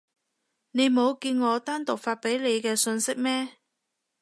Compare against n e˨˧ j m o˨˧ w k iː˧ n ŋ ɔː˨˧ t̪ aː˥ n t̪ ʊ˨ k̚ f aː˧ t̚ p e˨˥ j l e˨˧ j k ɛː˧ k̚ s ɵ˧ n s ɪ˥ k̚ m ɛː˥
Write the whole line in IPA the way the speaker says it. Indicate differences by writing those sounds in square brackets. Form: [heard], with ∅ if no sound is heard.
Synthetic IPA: n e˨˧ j m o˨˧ w k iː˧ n ŋ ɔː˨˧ t̪ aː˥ n t̪ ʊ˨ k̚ f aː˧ t̚ p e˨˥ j l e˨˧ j k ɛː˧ [∅] s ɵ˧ n s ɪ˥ k̚ m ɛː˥